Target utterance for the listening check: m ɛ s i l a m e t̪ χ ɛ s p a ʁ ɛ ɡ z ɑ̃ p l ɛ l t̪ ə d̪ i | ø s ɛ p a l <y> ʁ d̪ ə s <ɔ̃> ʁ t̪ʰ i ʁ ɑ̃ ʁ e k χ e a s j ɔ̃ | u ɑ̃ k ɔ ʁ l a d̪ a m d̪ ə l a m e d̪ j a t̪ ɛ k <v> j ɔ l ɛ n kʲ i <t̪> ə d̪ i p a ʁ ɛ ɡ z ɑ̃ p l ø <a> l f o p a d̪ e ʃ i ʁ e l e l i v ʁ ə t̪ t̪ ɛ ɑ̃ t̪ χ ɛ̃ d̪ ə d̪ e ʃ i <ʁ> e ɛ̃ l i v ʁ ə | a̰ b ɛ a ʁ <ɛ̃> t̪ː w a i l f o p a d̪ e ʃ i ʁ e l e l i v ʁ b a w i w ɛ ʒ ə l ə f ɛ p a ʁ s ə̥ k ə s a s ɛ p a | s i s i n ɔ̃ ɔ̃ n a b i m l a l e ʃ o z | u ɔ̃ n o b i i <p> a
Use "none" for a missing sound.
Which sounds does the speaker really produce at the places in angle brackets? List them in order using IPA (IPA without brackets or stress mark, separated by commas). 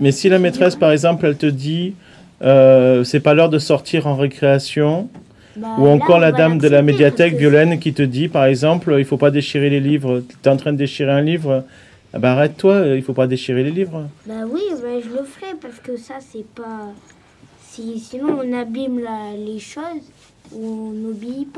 œ, ɔ, v, t̪, i, ʁ, ɛ, p